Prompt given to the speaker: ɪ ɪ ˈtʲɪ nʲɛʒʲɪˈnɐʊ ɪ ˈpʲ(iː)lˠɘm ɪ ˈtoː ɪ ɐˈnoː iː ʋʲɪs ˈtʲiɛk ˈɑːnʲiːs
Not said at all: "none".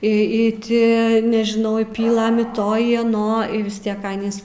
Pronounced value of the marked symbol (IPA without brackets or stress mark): iː